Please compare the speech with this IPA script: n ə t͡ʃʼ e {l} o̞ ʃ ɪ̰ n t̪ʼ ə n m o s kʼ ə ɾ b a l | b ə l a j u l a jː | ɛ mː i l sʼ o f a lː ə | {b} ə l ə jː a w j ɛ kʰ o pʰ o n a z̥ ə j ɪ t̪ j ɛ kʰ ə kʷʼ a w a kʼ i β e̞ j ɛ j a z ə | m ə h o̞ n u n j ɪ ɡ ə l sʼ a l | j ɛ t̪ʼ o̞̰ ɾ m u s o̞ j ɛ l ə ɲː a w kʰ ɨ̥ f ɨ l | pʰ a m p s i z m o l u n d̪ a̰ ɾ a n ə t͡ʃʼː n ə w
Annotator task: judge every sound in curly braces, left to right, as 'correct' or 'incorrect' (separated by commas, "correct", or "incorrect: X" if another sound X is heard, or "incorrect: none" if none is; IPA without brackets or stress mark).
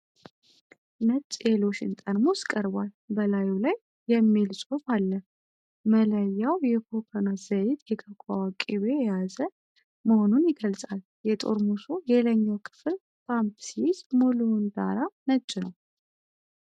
correct, incorrect: m